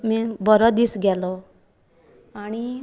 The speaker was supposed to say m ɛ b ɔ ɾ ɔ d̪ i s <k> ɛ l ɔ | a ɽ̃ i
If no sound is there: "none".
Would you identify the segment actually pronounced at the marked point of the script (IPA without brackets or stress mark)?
ɡ